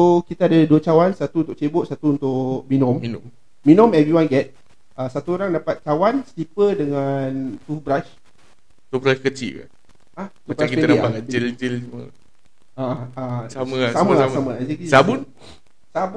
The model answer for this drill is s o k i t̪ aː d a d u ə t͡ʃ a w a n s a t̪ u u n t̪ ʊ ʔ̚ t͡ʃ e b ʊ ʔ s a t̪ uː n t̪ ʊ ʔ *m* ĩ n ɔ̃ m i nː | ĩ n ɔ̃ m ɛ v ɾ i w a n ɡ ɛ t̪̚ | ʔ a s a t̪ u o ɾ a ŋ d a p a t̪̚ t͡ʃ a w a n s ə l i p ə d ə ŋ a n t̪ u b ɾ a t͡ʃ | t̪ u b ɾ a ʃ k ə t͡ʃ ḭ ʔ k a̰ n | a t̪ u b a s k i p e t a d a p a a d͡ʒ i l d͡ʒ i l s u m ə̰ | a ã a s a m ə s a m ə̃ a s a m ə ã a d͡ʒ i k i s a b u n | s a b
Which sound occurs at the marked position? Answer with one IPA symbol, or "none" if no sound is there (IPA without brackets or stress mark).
m